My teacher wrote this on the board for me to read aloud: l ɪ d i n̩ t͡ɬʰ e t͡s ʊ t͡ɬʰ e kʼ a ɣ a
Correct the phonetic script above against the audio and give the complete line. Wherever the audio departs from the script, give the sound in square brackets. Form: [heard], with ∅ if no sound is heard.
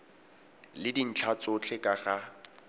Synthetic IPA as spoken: l ɪ d i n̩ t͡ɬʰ [a] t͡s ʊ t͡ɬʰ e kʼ a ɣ a